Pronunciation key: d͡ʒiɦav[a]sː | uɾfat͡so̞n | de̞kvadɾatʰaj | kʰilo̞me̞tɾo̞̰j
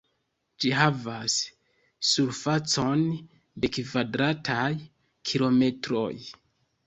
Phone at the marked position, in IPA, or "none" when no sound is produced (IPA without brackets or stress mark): a